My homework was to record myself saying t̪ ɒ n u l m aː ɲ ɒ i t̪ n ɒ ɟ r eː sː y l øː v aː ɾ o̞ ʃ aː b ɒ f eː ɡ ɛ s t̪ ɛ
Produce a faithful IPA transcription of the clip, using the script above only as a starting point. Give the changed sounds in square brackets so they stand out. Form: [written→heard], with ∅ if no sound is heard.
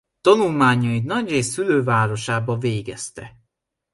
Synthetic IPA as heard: t̪ ɒ n u l m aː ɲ ɒ i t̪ n ɒ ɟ r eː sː y l øː v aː ɾ o̞ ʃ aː b ɒ [f→v] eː ɡ ɛ s t̪ ɛ